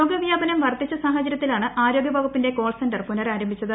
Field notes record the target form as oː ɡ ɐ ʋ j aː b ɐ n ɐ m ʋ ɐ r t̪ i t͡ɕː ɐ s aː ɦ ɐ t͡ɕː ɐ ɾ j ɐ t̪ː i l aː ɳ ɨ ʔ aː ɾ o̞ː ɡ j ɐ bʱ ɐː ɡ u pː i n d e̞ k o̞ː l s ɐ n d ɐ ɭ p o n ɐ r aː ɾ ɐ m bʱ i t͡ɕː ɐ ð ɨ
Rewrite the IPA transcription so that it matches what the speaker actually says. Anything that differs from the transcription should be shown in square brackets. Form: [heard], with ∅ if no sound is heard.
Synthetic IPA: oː ɡ ɐ ʋ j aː b ɐ n ɐ m ʋ ɐ r t̪ i t͡ɕː ɐ s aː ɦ ɐ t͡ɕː ɐ ɾ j ɐ t̪ː i l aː ɳ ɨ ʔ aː ɾ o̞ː ɡ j ɐ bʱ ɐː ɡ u pː i n d e̞ k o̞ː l s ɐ n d ɐ [r] p [u] n ɐ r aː ɾ ɐ m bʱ i t͡ɕː ɐ ð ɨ